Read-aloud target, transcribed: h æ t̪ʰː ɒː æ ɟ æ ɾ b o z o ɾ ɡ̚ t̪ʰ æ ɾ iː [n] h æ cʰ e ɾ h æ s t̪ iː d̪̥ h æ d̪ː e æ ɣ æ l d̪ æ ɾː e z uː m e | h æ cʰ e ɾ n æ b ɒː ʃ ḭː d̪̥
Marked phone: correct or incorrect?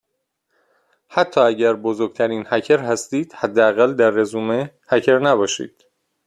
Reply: correct